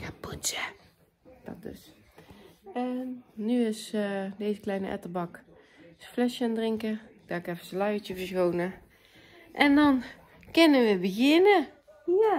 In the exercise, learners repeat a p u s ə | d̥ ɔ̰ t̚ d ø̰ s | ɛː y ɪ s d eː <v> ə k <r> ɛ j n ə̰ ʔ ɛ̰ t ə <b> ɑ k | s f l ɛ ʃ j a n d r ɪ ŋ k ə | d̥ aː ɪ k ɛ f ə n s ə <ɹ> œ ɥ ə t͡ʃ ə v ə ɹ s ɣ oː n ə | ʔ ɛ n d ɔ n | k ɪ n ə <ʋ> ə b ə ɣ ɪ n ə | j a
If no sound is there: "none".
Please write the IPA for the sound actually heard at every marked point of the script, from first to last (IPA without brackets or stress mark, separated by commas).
z, l, b, l, ʋ